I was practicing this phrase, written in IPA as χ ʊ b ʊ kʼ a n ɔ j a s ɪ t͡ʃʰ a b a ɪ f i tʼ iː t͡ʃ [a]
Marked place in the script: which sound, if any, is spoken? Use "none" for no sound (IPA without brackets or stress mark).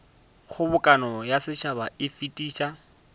a